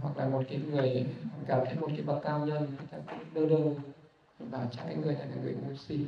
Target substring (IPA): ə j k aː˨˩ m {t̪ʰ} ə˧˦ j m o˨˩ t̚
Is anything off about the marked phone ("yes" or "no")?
no